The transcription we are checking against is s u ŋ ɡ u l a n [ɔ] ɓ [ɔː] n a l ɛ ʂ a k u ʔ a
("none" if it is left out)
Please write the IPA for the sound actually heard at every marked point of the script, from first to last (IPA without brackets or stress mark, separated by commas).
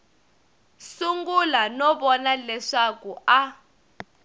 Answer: ɔ, ɔ